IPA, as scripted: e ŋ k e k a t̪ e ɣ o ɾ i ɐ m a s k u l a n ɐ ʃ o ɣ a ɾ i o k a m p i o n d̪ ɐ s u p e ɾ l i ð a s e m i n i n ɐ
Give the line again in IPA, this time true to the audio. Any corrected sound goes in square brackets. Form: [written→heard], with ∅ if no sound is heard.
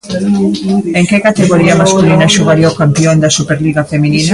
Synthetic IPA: e ŋ k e k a t̪ e ɣ o ɾ i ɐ m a s k u l [a→i] n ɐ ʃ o ɣ a ɾ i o k a m p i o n d̪ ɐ s u p e ɾ l i [ð→ɣ] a [s→f] e m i n i n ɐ